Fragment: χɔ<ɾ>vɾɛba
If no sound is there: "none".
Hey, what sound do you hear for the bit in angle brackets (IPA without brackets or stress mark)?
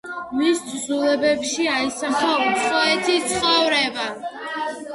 none